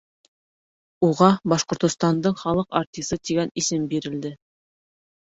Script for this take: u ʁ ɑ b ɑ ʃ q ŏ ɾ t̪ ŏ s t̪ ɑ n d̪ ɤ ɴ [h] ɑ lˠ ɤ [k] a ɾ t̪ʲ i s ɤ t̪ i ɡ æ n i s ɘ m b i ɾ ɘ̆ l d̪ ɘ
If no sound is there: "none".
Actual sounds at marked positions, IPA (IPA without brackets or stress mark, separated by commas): χ, q